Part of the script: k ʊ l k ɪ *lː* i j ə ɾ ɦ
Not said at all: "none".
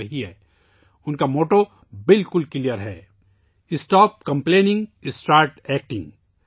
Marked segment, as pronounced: l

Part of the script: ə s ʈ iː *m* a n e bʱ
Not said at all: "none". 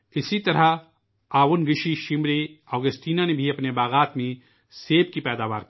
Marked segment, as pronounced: n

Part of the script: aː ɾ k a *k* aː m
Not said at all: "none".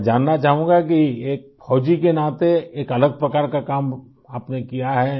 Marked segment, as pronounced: k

